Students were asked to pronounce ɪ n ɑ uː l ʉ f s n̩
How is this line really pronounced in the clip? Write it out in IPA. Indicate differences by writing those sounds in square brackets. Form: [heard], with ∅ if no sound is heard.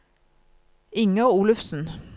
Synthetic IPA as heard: ɪ [ŋ] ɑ uː l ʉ f s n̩